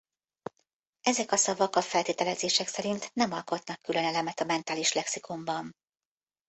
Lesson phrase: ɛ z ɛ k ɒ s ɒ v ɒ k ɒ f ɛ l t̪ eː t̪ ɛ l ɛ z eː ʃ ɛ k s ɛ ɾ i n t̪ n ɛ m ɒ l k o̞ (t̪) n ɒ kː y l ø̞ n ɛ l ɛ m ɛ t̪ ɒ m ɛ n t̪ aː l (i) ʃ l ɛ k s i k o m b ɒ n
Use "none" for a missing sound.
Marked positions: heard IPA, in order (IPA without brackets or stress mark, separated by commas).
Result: t̪, i